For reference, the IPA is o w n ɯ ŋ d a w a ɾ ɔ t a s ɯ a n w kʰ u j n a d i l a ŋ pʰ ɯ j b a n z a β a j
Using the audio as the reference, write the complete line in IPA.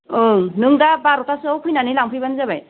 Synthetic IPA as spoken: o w n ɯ ŋ d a b a ɾ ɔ t a s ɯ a w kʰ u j n a n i l a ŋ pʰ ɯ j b a n z a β a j